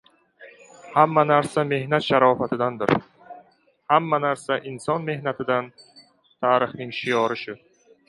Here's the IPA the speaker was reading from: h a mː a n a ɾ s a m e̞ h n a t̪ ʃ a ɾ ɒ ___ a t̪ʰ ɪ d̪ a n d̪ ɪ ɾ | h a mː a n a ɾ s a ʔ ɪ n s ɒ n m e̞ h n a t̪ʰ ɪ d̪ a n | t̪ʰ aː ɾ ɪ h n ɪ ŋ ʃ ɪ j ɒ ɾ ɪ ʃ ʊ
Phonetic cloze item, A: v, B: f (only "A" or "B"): B